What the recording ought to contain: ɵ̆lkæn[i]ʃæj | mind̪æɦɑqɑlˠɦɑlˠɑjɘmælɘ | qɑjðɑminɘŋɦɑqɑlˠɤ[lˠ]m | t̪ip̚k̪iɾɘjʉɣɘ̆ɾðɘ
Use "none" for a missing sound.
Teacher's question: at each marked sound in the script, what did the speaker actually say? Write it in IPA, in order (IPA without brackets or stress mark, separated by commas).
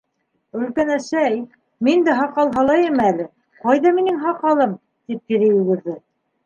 æ, none